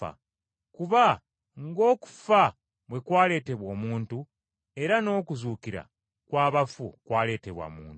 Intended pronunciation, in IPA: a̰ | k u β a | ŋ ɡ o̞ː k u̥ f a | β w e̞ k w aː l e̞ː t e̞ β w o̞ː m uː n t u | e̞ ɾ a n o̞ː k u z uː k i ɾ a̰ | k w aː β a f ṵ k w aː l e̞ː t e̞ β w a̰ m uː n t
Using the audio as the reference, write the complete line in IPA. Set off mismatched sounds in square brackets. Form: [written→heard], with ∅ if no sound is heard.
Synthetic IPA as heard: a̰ | k u β a | ŋ ɡ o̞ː k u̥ f a | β w e̞ k w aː l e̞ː t e̞ β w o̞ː m uː n t u | e̞ ɾ a n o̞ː k u z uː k i ɾ a̰ | k w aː β a f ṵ k w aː l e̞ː t e̞ β w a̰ m uː n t